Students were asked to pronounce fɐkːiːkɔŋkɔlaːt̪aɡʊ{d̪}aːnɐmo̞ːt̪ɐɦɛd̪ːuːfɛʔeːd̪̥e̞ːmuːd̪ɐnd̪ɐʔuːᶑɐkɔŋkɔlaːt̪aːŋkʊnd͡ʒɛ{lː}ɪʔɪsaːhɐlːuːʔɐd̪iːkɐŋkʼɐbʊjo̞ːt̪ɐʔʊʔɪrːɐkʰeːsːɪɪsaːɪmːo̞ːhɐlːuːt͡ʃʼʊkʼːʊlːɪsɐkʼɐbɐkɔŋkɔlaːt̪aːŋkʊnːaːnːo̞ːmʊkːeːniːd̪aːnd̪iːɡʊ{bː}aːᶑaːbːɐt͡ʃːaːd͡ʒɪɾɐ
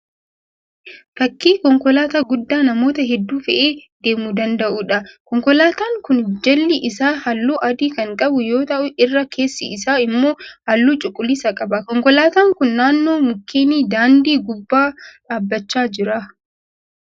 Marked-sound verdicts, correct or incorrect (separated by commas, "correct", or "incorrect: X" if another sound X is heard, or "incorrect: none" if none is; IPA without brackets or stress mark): incorrect: d̪ː, correct, correct